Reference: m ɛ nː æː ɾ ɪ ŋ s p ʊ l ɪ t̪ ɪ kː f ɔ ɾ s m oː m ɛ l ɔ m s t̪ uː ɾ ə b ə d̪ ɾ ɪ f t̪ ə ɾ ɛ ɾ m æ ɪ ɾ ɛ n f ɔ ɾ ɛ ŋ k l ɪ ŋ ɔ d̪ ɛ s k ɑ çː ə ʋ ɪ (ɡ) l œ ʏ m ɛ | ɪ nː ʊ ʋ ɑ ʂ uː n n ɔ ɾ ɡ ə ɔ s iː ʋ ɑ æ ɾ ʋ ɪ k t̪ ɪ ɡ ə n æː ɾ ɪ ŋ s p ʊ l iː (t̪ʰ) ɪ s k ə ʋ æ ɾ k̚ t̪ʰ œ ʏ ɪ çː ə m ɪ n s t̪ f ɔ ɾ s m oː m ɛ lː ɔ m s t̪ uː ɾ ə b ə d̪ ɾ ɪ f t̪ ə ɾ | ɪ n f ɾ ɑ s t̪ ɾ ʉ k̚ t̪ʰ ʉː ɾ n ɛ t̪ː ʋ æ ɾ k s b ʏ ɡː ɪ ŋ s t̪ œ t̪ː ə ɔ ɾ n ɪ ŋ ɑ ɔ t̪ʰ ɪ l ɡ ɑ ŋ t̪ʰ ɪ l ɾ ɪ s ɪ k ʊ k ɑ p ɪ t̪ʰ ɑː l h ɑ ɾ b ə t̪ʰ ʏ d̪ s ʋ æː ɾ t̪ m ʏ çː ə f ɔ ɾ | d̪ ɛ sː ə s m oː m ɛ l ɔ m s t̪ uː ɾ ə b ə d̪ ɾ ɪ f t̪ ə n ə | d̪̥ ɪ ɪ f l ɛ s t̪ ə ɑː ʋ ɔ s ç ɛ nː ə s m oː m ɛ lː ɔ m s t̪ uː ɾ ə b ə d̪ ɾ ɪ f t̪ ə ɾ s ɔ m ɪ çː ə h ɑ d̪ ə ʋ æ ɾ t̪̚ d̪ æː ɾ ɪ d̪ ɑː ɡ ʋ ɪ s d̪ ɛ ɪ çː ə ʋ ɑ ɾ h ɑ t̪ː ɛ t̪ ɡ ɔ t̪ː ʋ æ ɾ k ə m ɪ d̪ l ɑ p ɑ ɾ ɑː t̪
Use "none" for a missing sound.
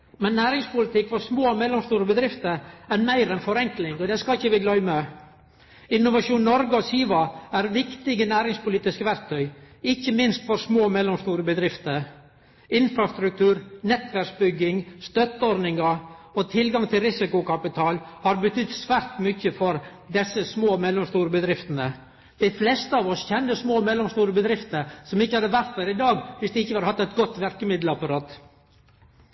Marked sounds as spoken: ɡ, t̪

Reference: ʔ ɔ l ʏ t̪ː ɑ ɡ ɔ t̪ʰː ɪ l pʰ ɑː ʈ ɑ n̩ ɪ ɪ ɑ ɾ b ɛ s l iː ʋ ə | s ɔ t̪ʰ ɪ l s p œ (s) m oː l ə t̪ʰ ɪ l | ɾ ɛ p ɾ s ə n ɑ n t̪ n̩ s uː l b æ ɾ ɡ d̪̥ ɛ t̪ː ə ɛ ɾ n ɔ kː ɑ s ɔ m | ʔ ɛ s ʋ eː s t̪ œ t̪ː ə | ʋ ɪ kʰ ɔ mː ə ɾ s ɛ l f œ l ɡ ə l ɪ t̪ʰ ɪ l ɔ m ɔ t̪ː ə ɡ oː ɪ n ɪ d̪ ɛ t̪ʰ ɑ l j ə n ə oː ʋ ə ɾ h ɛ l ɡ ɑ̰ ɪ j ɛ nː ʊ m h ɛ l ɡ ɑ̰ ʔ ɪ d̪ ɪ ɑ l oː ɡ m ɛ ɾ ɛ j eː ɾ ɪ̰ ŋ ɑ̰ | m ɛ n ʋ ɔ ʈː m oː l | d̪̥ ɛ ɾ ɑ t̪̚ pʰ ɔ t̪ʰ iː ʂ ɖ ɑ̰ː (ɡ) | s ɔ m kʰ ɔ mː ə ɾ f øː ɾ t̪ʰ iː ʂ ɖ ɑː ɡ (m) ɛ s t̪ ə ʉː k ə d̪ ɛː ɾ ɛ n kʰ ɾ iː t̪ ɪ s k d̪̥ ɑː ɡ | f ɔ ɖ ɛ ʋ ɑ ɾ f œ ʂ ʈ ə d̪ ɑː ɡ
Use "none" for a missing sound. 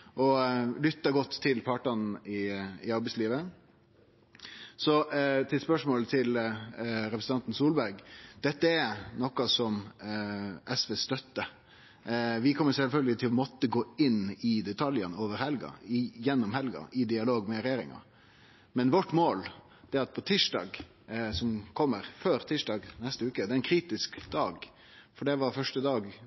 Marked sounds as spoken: ʂ, ɡ, n

